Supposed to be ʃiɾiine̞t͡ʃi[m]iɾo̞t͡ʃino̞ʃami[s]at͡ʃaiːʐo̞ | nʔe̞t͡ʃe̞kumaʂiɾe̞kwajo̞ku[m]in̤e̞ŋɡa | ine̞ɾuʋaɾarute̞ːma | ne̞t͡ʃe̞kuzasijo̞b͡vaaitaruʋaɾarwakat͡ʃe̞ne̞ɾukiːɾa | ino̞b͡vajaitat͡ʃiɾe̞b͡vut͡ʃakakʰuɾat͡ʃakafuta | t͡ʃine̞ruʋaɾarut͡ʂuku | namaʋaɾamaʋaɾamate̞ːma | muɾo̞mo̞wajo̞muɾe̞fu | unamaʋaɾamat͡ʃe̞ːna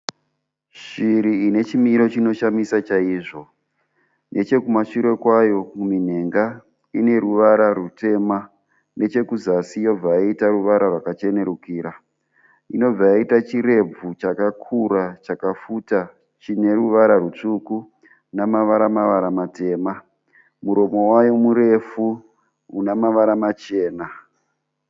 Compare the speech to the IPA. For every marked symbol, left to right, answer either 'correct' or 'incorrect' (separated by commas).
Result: correct, correct, correct